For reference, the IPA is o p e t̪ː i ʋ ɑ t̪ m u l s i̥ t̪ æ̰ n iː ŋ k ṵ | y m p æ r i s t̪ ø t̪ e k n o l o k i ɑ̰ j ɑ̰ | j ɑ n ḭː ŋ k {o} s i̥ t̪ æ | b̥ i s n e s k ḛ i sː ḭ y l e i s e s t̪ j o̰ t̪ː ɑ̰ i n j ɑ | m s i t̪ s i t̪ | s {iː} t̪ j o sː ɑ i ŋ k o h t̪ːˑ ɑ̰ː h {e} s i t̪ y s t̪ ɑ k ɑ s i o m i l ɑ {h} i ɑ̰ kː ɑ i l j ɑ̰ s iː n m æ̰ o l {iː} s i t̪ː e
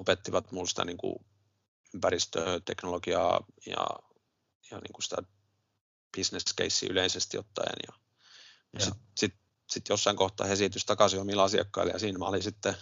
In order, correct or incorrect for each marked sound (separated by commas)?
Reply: incorrect, incorrect, correct, incorrect, incorrect